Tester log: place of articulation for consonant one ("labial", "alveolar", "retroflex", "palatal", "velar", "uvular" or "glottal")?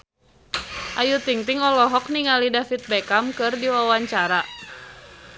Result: glottal